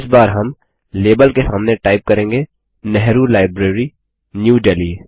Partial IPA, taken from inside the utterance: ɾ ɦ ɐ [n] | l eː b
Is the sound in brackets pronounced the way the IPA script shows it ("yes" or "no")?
no